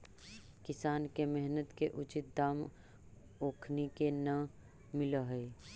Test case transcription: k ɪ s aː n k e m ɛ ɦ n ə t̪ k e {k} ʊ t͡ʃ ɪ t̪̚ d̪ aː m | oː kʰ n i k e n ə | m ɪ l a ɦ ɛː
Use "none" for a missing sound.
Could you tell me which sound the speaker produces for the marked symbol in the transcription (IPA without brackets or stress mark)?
ʔ